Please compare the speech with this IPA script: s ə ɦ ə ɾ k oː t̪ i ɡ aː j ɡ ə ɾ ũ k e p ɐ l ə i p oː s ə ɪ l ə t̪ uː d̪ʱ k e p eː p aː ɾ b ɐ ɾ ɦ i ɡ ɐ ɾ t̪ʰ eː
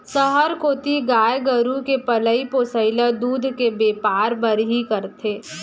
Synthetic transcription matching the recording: s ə ɦ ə ɾ k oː t̪ i ɡ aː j ɡ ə ɾ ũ k e p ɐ l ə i p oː s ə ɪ l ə d̪ uː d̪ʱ k e b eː p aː ɾ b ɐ ɾ ɦ i k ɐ ɾ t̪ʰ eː